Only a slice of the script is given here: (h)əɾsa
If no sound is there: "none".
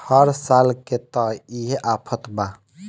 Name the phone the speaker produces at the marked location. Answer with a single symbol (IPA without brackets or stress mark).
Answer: h